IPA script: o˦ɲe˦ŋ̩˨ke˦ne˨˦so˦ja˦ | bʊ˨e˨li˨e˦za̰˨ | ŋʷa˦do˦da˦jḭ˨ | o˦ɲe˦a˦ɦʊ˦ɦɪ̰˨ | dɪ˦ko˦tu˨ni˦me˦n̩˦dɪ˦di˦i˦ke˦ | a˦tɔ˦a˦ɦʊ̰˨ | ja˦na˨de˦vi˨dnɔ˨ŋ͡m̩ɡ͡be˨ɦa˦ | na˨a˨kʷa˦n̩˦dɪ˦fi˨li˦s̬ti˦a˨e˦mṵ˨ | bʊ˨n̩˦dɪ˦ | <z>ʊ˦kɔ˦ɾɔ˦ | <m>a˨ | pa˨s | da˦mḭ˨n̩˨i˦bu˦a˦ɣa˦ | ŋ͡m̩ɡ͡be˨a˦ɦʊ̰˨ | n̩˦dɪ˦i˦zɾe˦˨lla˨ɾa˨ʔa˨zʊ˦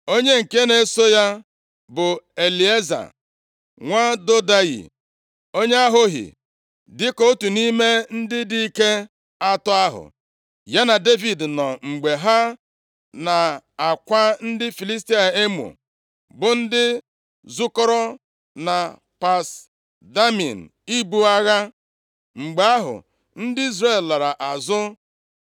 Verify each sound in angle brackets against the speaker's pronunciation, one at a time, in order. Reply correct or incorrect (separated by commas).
correct, incorrect